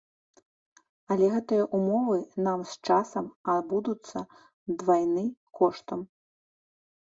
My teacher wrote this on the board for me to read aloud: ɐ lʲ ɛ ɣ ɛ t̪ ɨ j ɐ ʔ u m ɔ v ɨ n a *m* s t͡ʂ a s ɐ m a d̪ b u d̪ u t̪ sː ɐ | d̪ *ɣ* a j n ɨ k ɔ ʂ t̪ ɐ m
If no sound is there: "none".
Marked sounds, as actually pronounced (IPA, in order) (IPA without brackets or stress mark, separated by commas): m, v